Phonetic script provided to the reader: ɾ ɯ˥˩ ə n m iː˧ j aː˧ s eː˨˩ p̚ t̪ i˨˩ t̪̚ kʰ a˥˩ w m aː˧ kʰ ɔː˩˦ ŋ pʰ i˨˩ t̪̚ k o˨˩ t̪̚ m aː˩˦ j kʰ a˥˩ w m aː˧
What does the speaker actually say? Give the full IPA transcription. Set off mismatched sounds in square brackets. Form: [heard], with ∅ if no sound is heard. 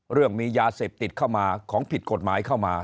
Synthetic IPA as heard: ɾ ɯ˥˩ ə [ŋ] m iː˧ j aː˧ s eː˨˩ p̚ t̪ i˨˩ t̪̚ kʰ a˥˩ w m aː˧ kʰ ɔː˩˦ ŋ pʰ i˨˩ t̪̚ k o˨˩ t̪̚ m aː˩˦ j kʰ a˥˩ w m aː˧